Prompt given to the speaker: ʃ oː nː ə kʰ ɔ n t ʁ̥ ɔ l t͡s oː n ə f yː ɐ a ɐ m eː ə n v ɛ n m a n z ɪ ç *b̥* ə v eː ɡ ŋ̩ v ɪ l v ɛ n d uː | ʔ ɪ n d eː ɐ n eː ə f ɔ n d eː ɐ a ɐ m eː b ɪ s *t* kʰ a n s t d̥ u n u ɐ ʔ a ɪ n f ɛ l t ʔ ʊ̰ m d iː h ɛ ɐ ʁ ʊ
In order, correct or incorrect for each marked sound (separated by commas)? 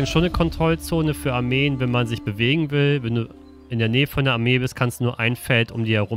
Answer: correct, correct